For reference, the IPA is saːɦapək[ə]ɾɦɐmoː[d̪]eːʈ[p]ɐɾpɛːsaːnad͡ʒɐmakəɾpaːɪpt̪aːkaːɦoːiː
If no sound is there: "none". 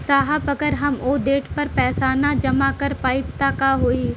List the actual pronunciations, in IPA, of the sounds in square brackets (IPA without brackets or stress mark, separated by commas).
ə, d̪, p